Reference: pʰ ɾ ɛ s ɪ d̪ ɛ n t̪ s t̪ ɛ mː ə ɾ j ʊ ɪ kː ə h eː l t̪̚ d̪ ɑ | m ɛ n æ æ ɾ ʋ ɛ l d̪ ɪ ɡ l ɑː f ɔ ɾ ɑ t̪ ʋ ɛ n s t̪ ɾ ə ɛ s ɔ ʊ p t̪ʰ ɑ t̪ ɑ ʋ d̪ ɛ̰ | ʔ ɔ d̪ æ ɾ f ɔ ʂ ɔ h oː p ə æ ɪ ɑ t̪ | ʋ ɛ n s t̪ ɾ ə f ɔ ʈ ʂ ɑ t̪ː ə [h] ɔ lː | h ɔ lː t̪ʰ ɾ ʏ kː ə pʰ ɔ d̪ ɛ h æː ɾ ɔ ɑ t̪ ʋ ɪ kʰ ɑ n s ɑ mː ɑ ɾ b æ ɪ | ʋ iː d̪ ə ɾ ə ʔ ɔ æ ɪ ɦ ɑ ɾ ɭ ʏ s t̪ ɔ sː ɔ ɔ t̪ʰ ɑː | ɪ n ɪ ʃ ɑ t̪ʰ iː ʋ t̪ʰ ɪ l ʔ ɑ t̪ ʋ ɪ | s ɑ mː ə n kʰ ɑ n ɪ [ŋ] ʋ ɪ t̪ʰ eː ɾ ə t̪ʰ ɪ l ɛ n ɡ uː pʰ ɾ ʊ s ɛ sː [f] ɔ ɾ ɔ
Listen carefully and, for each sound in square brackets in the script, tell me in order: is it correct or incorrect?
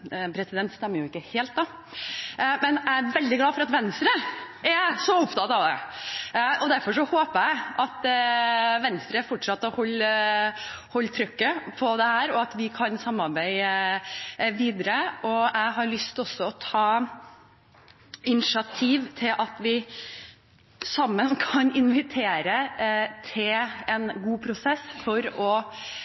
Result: correct, incorrect, correct

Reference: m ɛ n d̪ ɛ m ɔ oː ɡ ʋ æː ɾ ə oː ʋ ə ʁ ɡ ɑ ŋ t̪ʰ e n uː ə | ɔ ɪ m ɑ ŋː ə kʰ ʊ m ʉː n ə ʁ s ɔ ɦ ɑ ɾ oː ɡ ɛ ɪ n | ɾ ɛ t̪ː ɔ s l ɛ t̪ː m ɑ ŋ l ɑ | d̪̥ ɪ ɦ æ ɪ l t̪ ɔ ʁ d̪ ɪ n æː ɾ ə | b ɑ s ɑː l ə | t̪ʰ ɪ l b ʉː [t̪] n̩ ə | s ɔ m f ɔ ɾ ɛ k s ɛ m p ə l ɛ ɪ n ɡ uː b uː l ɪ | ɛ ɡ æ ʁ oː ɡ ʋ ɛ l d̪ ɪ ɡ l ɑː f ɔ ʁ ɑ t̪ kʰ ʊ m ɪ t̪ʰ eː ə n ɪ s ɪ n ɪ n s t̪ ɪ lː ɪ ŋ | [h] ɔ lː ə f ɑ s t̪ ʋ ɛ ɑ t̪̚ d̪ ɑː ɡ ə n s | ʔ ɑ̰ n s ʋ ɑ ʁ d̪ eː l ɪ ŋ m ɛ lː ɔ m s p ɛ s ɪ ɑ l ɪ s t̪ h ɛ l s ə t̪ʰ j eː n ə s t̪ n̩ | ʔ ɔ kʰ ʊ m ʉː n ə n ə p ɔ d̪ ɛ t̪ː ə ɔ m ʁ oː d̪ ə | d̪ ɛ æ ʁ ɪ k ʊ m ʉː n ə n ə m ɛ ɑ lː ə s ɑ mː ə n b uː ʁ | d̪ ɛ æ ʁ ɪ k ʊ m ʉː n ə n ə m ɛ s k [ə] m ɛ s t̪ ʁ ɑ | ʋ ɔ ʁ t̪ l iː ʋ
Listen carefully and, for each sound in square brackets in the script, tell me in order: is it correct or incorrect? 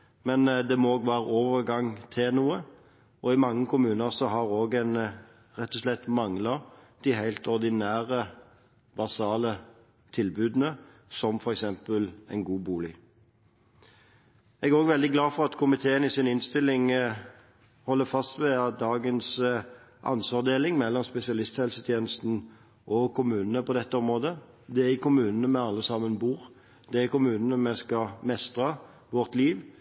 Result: incorrect, correct, incorrect

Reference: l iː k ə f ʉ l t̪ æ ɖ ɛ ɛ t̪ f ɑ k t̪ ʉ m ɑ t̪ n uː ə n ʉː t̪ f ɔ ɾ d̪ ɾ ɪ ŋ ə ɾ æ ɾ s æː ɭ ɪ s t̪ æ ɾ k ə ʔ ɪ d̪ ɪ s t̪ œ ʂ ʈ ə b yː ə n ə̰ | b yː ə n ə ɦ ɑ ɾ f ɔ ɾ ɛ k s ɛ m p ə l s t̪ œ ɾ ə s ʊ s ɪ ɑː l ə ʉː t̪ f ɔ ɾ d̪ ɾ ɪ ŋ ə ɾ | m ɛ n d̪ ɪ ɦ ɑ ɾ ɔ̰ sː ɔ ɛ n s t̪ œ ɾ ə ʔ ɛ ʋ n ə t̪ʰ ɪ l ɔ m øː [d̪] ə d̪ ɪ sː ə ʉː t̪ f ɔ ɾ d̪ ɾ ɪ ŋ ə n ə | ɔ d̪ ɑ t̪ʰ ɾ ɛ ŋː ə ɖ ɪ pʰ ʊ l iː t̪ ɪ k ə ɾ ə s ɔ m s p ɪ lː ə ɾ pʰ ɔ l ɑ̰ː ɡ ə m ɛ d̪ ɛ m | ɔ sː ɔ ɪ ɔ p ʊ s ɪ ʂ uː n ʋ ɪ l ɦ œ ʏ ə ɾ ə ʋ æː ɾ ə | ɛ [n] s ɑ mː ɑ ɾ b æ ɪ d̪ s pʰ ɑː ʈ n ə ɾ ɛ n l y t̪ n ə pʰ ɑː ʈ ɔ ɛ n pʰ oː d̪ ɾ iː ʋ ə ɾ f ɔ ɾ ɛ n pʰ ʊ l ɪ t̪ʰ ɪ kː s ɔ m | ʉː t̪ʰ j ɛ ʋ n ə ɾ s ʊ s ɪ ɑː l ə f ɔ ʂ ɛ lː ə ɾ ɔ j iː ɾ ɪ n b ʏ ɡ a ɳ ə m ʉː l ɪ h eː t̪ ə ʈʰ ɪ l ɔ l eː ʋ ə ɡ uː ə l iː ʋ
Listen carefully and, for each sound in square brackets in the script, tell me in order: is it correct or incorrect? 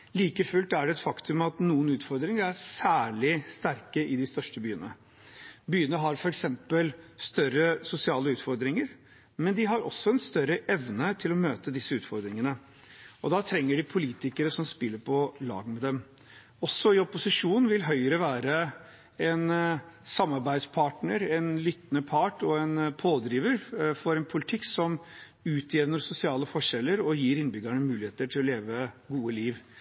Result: incorrect, correct

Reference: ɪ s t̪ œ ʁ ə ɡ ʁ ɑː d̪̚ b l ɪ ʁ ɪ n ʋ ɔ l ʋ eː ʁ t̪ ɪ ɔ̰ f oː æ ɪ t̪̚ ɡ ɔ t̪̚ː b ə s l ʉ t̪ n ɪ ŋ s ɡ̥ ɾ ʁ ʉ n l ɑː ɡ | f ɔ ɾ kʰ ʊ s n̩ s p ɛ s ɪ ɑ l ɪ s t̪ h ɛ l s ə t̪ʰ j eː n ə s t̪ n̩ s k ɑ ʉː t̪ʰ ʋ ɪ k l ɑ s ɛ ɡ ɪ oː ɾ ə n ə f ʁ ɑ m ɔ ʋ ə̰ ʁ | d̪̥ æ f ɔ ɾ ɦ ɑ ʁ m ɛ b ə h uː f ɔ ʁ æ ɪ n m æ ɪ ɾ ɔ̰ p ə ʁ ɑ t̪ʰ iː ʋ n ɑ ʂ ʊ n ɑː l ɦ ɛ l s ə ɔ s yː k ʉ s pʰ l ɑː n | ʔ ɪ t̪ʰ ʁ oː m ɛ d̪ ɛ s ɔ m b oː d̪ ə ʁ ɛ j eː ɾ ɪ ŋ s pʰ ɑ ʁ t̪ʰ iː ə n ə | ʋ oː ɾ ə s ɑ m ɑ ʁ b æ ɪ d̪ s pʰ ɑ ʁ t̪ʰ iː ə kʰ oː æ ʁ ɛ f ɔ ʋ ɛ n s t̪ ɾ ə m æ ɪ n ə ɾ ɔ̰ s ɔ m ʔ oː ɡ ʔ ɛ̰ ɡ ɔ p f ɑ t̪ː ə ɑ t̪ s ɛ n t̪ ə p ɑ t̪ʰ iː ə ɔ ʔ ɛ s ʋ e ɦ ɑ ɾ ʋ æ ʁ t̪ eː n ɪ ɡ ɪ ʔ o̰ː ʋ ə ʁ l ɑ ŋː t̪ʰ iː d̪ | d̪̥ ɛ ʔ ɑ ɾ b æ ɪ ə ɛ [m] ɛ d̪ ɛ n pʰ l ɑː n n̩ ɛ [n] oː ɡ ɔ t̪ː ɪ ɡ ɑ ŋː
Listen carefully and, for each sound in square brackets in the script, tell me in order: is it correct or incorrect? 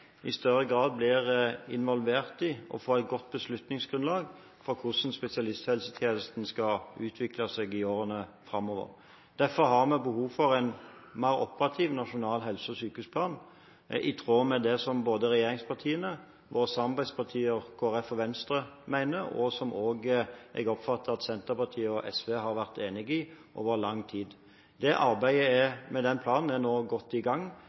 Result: correct, correct

